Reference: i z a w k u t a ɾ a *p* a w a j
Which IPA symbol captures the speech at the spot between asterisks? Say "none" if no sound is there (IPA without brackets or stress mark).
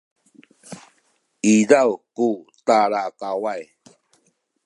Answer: k